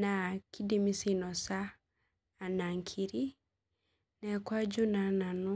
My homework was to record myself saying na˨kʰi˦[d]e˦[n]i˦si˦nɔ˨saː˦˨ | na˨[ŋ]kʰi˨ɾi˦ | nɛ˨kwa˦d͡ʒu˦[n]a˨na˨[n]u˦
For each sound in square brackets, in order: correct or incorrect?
correct, incorrect: m, correct, correct, correct

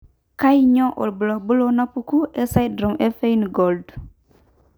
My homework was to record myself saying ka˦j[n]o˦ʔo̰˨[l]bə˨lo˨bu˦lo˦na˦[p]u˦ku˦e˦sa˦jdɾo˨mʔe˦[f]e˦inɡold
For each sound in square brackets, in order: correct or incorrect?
incorrect: ɲ, correct, correct, correct

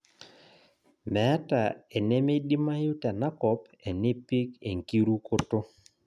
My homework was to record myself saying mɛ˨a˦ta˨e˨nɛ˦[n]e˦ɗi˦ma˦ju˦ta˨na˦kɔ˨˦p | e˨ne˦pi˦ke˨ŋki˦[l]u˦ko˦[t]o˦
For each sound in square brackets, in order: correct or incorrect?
incorrect: m, incorrect: ɾ, correct

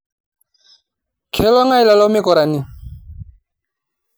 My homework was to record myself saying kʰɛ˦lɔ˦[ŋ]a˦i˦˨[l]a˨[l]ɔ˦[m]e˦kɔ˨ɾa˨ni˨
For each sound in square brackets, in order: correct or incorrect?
correct, correct, correct, correct

